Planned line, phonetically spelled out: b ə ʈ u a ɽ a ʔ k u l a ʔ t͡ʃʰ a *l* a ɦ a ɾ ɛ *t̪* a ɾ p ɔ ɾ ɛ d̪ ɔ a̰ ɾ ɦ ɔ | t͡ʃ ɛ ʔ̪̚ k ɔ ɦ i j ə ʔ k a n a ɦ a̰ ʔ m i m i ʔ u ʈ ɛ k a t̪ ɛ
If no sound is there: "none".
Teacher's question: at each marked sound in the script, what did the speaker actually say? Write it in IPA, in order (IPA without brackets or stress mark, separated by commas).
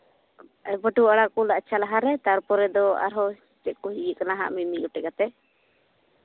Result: l, t̪